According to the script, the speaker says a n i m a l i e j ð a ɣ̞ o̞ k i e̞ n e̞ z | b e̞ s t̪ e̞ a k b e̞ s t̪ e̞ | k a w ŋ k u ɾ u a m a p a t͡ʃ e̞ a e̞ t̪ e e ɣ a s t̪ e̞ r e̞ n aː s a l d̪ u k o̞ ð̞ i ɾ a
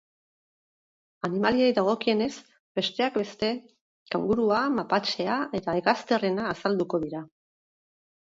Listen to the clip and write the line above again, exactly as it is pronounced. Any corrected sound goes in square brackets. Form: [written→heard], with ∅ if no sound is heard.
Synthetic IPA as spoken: a n i m a l i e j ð a ɣ̞ o̞ k i e̞ n e̞ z | b e̞ s t̪ e̞ a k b e̞ s t̪ e̞ | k a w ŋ [k→ɡ] u ɾ u a m a p a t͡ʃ e̞ a e̞ t̪ [e→a] e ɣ a s t̪ e̞ r e̞ n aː s a l d̪ u k o̞ ð̞ i ɾ a